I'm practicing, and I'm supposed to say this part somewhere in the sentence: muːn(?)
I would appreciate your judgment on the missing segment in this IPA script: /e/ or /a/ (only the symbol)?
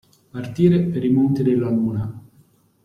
a